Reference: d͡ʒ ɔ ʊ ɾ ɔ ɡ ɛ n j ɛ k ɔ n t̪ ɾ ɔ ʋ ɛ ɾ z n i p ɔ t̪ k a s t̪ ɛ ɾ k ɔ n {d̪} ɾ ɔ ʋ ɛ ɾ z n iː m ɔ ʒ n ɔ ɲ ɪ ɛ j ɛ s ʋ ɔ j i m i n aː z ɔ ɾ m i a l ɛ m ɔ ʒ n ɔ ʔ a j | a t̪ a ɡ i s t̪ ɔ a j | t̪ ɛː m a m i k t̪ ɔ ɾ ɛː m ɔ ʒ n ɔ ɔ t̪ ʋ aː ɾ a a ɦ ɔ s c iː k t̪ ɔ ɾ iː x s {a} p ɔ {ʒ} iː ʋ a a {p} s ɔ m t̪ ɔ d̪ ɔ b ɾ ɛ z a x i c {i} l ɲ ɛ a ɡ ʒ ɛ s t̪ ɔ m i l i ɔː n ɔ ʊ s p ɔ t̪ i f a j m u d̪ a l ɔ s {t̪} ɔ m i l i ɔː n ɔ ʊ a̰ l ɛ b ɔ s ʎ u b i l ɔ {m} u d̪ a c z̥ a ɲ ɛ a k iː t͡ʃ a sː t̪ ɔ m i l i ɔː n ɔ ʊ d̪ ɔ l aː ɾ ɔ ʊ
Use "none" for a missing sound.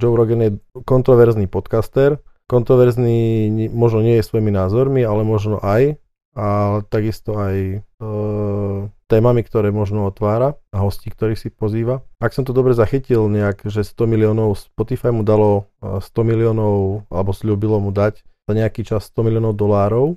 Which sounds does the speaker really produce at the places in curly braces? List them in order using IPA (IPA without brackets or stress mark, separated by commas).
t̪, i, z, k, i, t̪, m